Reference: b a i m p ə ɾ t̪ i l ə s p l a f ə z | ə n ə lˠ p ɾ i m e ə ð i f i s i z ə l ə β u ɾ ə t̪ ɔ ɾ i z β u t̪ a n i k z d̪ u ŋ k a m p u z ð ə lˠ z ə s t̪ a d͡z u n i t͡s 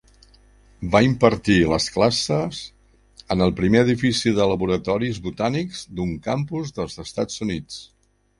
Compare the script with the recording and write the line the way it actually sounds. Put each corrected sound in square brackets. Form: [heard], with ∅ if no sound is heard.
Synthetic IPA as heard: b a i m p ə ɾ t̪ i l ə s [k] l a [s] ə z | ə n ə lˠ p ɾ i m e ə ð i f i s i [ð] ə l ə β u ɾ ə t̪ ɔ ɾ i z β u t̪ a n i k z d̪ u ŋ k a m p u z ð ə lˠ z ə s t̪ a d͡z u n i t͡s